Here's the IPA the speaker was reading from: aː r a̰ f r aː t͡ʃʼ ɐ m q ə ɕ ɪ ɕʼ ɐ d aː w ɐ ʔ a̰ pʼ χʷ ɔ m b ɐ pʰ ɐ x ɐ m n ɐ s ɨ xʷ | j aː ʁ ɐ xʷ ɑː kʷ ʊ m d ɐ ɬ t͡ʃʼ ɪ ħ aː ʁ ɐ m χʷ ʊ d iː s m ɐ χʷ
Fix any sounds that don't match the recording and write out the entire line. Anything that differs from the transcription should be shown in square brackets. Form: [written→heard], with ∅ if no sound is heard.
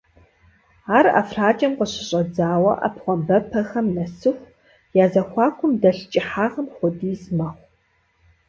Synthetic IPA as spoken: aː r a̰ f r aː t͡ʃʼ ɐ m q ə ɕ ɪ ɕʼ ɐ [d→d͡z] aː w ɐ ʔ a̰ [pʼ→p] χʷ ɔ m b ɐ pʰ ɐ x ɐ m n ɐ s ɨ xʷ | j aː [ʁ→z] ɐ xʷ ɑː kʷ ʊ m d ɐ ɬ t͡ʃʼ ɪ ħ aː ʁ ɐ m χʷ ʊ d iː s m ɐ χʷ